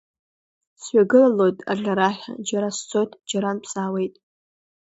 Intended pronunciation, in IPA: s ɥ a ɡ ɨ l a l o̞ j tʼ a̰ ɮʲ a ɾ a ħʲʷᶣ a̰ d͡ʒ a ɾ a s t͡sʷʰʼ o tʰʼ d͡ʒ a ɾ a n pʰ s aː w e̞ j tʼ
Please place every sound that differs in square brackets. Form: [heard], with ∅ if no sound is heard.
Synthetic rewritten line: s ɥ a ɡ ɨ l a l o̞ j tʼ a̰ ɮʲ a ɾ a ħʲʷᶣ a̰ d͡ʒ a ɾ a s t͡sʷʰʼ o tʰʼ d͡ʒ a ɾ a n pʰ s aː w e̞ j tʼ

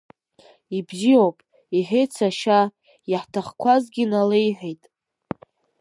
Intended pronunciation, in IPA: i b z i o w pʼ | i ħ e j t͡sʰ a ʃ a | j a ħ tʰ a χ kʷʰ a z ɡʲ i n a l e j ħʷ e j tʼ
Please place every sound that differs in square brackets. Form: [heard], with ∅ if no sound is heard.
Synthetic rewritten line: i b z i o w pʼ | i ħ e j t͡sʰ a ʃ a | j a ħ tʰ a χ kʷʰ a z ɡʲ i n a l e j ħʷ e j tʼ

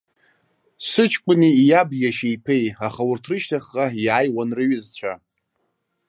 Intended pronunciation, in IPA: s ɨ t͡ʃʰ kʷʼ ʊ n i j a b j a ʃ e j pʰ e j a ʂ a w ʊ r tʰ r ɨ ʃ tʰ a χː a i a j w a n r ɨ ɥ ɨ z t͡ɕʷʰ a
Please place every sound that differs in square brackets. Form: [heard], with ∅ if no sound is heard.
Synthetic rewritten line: s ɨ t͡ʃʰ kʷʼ ʊ n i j a b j a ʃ e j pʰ e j a [χ] a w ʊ r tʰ r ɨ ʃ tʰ a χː a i a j w a n r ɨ ɥ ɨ z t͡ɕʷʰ a

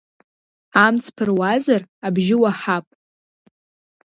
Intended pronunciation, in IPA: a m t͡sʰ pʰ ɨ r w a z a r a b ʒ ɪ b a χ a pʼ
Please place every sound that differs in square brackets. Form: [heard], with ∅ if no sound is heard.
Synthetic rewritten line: a m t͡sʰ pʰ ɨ r w a z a r a b ʒ ɪ [w] a [ħ] a pʼ

